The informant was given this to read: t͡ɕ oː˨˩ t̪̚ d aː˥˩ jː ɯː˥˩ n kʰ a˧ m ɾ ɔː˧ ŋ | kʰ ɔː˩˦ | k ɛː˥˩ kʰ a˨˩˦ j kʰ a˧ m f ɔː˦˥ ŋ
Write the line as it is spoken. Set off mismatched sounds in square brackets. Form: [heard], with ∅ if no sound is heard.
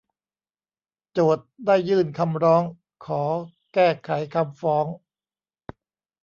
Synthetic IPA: t͡ɕ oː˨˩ t̪̚ d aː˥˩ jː ɯː˥˩ n kʰ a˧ m ɾ [ɔː˦˥] ŋ | kʰ ɔː˩˦ | k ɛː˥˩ kʰ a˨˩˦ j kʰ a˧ m f ɔː˦˥ ŋ